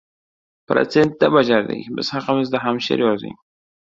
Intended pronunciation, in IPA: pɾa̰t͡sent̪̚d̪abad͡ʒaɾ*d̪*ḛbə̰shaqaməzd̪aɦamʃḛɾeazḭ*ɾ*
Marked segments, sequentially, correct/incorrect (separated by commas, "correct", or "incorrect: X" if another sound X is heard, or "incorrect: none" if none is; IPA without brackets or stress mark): correct, incorrect: none